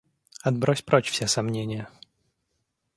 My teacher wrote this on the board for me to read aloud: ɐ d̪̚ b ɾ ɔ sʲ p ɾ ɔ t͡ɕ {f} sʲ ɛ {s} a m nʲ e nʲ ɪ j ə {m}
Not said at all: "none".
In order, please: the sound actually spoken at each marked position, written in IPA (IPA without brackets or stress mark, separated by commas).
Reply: f, s, none